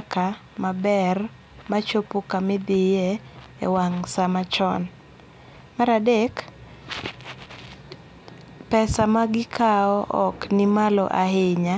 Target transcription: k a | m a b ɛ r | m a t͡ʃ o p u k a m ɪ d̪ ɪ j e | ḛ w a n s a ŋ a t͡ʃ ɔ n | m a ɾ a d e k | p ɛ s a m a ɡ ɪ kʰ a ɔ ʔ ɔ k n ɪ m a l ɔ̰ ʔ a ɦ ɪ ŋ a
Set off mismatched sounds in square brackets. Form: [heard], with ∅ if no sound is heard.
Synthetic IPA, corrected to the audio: k a | m a b ɛ r | m a t͡ʃ o p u k a m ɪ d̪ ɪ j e | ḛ w a [ŋ] s a [m] a t͡ʃ ɔ n | m a ɾ a d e k | p ɛ s a m a ɡ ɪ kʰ a ɔ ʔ ɔ k n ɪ m a l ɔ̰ ʔ a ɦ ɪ [ɲ] a